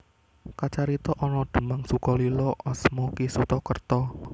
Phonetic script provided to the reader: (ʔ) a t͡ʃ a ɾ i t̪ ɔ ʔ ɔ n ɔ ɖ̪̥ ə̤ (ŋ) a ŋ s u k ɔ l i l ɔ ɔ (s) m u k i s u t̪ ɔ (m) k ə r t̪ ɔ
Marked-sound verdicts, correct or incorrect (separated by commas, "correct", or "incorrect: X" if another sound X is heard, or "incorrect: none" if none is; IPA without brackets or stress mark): incorrect: k, incorrect: m, correct, incorrect: none